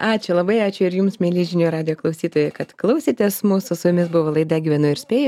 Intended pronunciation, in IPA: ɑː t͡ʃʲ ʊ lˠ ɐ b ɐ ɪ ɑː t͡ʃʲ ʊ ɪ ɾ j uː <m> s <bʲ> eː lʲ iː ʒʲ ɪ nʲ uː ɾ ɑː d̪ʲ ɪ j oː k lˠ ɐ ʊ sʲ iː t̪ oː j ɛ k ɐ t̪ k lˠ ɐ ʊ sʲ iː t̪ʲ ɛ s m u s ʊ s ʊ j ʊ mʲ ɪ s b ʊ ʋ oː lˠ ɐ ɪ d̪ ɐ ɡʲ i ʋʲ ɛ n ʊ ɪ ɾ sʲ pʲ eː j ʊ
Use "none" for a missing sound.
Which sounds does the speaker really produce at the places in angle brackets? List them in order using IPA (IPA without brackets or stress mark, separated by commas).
m, mʲ